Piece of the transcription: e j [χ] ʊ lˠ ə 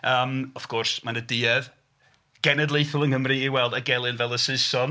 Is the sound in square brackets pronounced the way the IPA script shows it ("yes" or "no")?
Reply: no